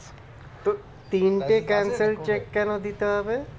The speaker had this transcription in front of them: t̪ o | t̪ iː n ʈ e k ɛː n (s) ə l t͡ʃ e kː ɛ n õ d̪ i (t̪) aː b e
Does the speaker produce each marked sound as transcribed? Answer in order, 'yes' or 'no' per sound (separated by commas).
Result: yes, yes